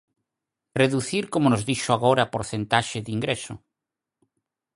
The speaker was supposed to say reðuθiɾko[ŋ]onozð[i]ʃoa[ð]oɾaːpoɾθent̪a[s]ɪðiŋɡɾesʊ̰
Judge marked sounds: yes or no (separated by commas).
no, yes, no, no